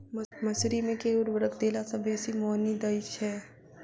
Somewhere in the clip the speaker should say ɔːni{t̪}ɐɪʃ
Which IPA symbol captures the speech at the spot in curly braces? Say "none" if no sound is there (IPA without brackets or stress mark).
d̪